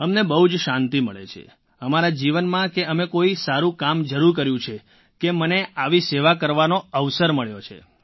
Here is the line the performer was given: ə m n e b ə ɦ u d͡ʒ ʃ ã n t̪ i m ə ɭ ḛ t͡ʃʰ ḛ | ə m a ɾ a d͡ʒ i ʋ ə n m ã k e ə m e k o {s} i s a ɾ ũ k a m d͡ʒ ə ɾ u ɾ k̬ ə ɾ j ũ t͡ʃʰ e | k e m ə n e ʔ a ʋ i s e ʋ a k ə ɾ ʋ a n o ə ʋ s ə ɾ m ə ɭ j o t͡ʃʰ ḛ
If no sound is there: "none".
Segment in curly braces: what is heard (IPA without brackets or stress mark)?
none